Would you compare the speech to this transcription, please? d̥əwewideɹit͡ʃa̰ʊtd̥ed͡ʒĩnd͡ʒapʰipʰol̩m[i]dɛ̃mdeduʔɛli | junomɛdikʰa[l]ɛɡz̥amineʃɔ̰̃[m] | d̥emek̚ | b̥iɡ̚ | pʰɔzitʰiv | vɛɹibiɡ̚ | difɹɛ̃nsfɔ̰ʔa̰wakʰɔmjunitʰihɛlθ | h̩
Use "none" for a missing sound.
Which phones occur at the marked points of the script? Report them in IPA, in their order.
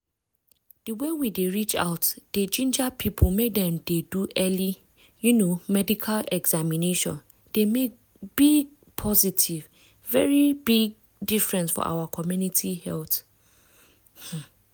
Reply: e, l, n

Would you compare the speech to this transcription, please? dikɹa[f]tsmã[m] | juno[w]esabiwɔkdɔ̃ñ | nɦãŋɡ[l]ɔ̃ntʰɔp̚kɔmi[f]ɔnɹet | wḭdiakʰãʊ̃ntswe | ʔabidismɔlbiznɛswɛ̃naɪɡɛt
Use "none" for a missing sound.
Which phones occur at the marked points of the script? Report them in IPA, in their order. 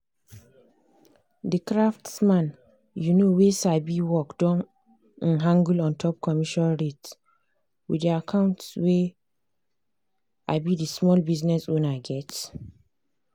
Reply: f, n, w, l, ʃ

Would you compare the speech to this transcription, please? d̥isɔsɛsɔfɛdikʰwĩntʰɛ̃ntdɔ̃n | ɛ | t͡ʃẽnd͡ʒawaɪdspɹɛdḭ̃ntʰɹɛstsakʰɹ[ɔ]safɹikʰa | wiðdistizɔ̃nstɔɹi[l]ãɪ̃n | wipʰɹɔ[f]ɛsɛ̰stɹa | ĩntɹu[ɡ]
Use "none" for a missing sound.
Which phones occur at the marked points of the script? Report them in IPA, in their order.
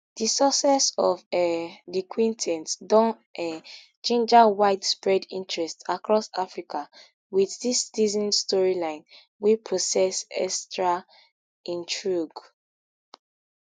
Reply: ɔ, l, s, ɡ

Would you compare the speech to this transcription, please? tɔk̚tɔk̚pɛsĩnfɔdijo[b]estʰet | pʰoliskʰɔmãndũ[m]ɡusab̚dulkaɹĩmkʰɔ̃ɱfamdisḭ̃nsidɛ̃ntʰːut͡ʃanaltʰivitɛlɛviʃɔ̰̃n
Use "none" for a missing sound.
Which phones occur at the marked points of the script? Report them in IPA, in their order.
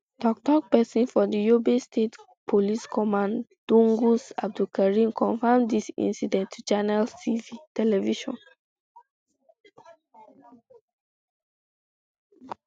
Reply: b, ŋ

